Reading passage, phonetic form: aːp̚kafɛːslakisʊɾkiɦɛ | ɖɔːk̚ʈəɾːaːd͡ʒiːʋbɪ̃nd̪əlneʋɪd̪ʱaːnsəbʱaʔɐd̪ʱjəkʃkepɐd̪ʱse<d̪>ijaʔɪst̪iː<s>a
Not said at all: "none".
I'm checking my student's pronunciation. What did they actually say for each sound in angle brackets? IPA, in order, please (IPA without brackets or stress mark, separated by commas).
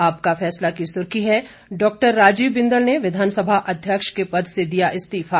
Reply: d̪, f